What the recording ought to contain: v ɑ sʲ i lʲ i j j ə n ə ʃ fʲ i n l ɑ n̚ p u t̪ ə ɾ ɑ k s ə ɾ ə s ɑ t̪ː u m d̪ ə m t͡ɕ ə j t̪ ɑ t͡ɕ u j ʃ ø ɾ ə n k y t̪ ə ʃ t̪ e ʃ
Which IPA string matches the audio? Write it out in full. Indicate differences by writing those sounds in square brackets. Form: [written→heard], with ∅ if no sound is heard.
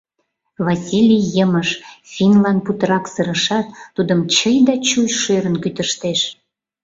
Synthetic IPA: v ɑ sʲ i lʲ i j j ə [n→m] ə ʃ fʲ i n l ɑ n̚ p u t̪ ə ɾ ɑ k s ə ɾ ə [s→ʃ] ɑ t̪ː u [m→∅] d̪ ə m t͡ɕ ə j [t̪→d̪] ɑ t͡ɕ u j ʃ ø ɾ ə n k y t̪ ə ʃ t̪ e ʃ